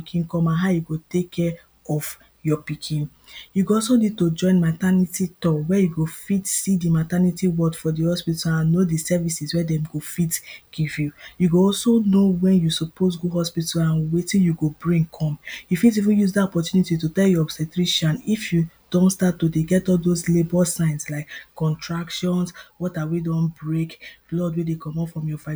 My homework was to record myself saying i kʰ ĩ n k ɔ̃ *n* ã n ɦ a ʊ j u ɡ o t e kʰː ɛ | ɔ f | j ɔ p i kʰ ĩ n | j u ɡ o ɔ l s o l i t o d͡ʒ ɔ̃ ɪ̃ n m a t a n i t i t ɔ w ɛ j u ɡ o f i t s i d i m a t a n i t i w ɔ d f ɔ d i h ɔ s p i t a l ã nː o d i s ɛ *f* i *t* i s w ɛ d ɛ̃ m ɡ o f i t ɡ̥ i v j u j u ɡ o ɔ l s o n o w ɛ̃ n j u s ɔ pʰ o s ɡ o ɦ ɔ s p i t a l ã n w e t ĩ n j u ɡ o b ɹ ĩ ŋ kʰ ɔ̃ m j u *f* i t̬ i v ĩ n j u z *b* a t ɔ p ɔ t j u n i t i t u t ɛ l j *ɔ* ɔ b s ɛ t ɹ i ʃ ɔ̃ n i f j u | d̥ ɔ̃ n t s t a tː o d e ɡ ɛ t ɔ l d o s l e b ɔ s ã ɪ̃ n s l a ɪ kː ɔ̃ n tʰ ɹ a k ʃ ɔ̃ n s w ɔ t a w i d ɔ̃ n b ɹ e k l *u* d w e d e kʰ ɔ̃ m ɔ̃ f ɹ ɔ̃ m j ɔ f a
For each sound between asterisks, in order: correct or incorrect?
incorrect, incorrect, incorrect, correct, incorrect, correct, incorrect

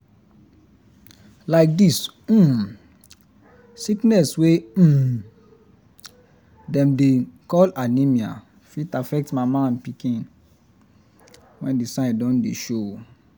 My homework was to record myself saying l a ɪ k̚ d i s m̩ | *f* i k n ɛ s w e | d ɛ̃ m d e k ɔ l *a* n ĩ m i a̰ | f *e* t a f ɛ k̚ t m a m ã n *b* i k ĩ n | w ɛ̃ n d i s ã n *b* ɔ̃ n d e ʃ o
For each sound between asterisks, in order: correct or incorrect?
incorrect, correct, incorrect, incorrect, incorrect

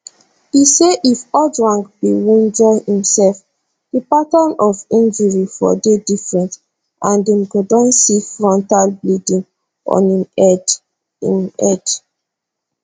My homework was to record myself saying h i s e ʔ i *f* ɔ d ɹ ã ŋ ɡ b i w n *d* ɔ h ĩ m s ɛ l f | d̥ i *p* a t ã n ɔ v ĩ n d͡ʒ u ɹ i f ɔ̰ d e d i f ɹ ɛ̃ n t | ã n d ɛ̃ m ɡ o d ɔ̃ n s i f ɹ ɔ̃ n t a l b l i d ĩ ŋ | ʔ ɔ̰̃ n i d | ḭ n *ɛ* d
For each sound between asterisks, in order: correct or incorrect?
correct, incorrect, correct, correct

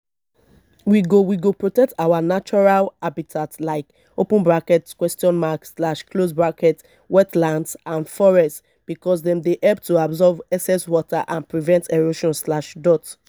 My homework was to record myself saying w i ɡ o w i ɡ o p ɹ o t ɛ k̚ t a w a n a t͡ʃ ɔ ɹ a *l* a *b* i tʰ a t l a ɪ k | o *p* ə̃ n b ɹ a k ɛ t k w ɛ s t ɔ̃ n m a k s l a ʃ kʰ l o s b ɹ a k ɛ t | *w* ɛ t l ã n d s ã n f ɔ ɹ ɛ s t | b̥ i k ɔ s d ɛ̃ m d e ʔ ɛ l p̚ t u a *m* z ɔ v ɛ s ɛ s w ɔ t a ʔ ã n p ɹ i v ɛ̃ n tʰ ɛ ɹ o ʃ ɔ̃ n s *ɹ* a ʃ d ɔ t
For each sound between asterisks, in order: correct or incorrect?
correct, correct, correct, correct, incorrect, incorrect

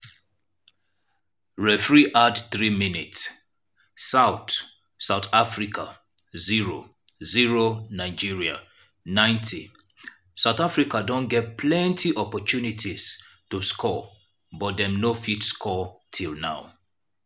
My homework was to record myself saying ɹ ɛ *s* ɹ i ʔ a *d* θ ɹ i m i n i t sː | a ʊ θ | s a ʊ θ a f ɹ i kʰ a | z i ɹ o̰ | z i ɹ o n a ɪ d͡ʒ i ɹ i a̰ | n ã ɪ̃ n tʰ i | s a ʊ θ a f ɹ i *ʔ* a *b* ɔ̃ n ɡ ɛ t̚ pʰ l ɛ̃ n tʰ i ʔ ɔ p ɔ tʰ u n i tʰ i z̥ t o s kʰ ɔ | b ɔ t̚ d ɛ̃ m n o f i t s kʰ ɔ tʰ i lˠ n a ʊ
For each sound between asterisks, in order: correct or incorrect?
incorrect, correct, incorrect, incorrect

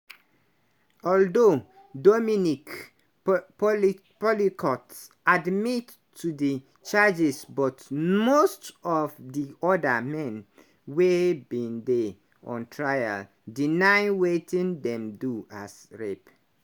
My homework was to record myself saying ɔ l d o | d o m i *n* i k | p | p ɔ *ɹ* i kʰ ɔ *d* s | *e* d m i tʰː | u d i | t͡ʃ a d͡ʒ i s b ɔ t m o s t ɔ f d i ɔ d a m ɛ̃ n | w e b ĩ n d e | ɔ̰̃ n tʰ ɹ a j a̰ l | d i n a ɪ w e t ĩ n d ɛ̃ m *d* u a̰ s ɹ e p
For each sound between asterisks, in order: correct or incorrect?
correct, incorrect, incorrect, incorrect, correct

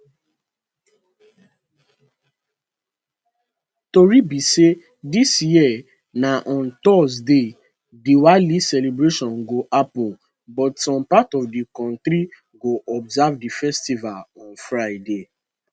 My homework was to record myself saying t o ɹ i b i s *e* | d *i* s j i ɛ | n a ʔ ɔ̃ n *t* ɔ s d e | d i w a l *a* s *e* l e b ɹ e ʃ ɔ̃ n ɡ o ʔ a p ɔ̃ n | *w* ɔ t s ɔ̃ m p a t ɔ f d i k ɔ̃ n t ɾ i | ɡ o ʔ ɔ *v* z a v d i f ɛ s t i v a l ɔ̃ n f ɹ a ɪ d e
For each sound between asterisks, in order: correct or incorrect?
correct, correct, correct, incorrect, incorrect, incorrect, incorrect

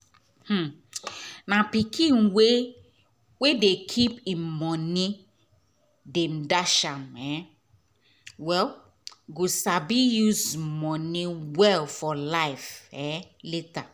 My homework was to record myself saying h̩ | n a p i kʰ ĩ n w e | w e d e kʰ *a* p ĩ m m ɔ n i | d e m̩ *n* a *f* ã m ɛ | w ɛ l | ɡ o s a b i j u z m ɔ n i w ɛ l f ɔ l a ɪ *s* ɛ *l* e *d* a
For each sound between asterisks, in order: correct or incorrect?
incorrect, incorrect, incorrect, incorrect, correct, incorrect

